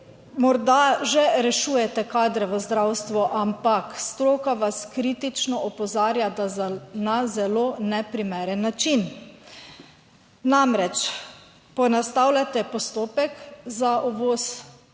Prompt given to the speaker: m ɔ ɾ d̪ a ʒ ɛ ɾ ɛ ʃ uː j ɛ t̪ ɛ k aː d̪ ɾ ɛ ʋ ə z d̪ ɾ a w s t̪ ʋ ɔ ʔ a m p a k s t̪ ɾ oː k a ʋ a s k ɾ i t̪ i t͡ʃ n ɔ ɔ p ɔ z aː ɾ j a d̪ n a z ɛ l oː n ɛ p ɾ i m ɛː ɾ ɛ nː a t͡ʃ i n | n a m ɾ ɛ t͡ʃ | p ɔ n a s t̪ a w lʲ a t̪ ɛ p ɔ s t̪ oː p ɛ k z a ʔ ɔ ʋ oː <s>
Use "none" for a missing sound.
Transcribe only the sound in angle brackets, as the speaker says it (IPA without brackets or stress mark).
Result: s